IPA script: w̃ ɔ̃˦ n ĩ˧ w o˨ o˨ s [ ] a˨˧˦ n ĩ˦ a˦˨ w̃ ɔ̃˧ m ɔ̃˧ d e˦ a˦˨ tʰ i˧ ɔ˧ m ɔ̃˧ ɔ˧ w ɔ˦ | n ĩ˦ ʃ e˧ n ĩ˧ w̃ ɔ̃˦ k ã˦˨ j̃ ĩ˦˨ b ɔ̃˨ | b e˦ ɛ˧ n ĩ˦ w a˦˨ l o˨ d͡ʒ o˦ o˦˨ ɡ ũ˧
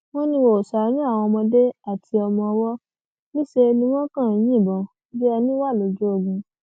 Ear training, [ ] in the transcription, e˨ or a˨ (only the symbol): a˨